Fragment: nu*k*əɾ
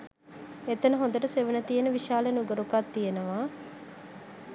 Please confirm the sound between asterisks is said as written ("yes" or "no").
no